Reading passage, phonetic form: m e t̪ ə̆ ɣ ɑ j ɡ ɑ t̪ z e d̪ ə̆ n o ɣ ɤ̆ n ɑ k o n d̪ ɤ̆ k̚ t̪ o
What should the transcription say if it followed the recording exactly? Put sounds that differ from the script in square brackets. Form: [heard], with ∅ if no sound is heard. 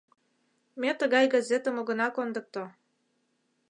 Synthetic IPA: m e t̪ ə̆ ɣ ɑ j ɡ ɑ [∅] z e [t̪] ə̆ [m] o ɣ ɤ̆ n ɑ k o n d̪ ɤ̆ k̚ t̪ o